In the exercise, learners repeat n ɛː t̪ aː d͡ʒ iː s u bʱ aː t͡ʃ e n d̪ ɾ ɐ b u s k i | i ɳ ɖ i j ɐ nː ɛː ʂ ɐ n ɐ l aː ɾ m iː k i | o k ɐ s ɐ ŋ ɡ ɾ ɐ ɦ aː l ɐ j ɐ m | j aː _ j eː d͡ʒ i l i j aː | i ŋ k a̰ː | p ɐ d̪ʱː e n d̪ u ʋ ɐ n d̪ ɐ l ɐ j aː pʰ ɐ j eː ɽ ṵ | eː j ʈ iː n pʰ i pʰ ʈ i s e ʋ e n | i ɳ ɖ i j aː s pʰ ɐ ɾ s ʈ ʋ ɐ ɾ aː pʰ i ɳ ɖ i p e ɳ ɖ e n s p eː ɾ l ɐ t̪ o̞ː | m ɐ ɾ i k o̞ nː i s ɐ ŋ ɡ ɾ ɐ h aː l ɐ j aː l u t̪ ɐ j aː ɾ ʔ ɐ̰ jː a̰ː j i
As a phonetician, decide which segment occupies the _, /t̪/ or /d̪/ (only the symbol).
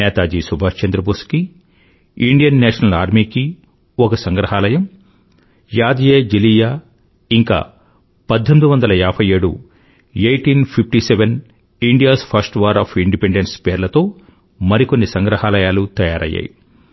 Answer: d̪